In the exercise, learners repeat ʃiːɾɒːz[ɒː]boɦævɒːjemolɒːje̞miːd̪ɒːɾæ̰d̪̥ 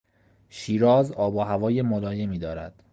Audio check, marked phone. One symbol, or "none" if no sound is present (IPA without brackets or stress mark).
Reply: ɒː